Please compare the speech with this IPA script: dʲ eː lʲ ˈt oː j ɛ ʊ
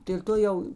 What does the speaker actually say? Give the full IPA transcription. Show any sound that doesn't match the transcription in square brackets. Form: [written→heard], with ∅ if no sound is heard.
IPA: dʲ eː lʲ ˈt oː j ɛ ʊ